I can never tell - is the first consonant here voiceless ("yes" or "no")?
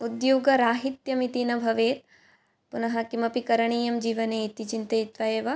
no